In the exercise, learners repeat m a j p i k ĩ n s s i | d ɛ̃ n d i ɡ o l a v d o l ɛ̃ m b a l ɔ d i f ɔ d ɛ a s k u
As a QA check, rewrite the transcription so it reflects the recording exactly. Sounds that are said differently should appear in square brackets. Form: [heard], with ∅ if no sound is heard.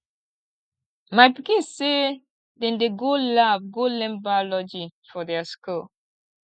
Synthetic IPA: m a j p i k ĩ n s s [e] | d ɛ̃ n d [e] ɡ o l a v [ɡ] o l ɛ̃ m b a l ɔ [d͡ʒ] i f ɔ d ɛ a s k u